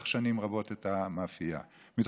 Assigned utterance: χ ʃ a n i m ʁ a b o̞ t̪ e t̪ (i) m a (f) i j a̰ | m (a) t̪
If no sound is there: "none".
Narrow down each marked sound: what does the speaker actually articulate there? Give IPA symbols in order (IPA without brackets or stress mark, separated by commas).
a, f, i